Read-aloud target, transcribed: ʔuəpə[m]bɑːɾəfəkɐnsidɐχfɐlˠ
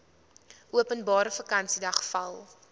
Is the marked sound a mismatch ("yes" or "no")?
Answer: yes